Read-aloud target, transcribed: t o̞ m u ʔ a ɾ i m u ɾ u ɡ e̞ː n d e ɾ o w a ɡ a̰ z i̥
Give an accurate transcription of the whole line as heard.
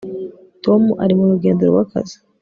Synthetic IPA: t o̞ m u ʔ a ɾ i m u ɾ u ɡ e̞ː n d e ɾ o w a k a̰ z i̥

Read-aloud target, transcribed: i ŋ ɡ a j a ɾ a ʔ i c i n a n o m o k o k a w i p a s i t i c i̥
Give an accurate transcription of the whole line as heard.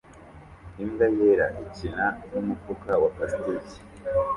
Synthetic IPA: i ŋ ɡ a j e ɾ a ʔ i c i n a n u m u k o k a w a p a s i t i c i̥

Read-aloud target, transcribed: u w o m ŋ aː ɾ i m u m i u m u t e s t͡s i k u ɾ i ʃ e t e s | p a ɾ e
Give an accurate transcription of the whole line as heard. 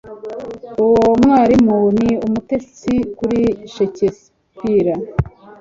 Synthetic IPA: u w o m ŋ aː ɾ i m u n i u m u t e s t͡s i k u ɾ i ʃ e c e s | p i ɾ a

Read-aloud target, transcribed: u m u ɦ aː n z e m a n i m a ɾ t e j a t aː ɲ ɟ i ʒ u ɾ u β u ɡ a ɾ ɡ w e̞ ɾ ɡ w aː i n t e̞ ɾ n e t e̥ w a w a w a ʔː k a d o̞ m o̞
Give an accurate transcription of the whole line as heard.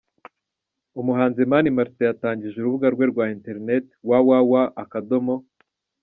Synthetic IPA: u m u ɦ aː n z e m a n i m a ɾ t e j a t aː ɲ ɟ i ʒ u ɾ u β u ɡ a ɾ ɡ w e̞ ɾ ɡ w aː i n t e̞ ɾ n e t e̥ w a w a w a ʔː k a d o̞ m o̞

